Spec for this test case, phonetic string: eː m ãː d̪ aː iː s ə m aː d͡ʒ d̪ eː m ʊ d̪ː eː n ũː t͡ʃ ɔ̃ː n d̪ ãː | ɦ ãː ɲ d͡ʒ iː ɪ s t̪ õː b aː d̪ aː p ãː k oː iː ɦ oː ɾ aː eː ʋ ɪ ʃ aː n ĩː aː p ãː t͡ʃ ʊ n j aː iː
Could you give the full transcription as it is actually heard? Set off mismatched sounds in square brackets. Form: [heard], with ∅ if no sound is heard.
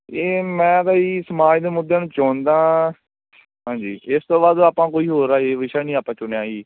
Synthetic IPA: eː m [ɛ̃ː] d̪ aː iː s ə m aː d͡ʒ d̪ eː m ʊ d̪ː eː n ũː t͡ʃ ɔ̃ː n d̪ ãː | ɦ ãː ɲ d͡ʒ iː ɪ s t̪ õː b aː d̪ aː p ãː k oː iː ɦ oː ɾ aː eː ʋ ɪ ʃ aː n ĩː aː p ãː t͡ʃ ʊ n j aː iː

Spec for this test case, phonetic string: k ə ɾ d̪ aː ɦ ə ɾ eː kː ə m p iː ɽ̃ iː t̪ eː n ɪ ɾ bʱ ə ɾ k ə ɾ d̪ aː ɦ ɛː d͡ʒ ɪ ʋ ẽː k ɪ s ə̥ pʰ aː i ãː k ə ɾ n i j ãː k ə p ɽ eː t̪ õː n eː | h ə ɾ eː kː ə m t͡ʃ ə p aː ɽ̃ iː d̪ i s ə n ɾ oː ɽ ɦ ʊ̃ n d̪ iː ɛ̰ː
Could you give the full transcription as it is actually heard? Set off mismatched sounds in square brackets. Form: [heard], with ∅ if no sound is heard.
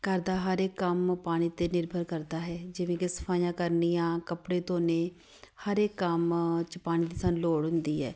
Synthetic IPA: k ə ɾ d̪ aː ɦ ə ɾ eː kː ə m p [aː] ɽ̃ iː t̪ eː n ɪ ɾ bʱ ə ɾ k ə ɾ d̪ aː ɦ ɛː d͡ʒ ɪ ʋ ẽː k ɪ s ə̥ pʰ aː [j] ãː k ə ɾ n i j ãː k ə p ɽ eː t̪ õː n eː | h ə ɾ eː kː ə m t͡ʃ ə p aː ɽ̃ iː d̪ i s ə n [l] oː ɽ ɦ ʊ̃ n d̪ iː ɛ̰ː

